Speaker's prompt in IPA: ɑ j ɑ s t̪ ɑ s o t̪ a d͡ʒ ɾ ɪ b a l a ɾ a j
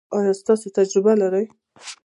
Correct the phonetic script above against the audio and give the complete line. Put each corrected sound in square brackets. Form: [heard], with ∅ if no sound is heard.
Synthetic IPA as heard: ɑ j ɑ s t̪ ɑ s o t̪ a d͡ʒ ɾ ɪ b a l a ɾ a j

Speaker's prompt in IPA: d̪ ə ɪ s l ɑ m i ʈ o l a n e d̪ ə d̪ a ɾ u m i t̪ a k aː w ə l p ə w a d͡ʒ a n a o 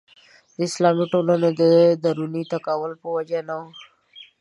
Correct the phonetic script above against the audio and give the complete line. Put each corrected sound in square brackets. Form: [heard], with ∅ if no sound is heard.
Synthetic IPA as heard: d̪ ə ɪ s l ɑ m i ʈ o l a n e d̪ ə d̪ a ɾ u [n] i t̪ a k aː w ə l p ə w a d͡ʒ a n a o

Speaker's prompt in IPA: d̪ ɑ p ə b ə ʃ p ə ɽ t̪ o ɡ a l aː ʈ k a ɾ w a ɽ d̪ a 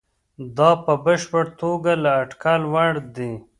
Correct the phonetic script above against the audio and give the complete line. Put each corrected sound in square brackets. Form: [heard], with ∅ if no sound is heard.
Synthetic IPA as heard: d̪ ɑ p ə b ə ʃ p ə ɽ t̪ o ɡ a l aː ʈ k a [l] w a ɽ d̪ [i]

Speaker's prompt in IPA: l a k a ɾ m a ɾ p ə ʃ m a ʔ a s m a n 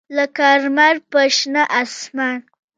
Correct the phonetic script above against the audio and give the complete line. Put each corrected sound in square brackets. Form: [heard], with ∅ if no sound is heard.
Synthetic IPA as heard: l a k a ɾ m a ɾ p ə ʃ [n] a ʔ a s m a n

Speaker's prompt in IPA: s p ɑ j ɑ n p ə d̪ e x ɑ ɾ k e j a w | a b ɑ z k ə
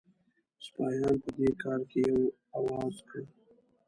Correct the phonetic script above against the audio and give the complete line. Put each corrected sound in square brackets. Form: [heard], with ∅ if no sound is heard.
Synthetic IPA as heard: s p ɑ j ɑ n p ə d̪ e [k] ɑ ɾ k e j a w | a [w] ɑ z k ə

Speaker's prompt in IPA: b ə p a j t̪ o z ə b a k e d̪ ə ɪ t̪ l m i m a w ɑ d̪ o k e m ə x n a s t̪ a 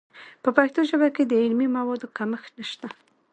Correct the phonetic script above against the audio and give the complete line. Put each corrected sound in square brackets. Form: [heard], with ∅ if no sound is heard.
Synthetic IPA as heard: [p] ə p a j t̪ o [ʒ] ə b a k e d̪ ə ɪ [∅] l m i m a w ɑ d̪ o k [a] m ə x n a [ʃ] t̪ a

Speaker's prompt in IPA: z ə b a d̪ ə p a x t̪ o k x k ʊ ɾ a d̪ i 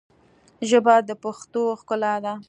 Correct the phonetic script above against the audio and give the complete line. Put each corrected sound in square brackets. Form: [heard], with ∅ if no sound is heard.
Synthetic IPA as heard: [ʒ] ə b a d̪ ə p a x t̪ o [∅] x k ʊ [l] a d̪ [a]

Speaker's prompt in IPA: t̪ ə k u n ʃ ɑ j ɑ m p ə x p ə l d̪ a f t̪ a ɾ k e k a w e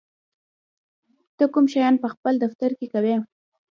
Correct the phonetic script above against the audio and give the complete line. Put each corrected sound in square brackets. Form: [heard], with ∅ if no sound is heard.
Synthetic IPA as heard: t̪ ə k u [m] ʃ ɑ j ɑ [n] p ə x p ə l d̪ a f t̪ a ɾ k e k a w e

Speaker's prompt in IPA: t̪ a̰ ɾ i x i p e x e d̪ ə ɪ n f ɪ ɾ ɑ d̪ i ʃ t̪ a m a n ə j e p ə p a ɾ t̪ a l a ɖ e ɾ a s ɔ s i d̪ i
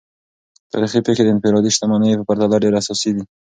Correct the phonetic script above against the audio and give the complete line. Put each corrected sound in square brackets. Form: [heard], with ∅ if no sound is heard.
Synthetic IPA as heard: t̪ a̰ ɾ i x i p e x e d̪ ə ɪ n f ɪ ɾ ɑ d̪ i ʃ t̪ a m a n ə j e p ə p a ɾ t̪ a l a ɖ e ɾ a s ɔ s i d̪ i

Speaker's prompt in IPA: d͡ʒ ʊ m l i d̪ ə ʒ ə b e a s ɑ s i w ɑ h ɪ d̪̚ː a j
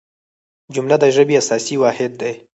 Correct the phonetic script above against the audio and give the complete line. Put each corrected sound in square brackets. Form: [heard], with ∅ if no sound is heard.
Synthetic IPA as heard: d͡ʒ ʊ m l [a] d̪ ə ʒ ə b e a s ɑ s i w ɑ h ɪ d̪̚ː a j

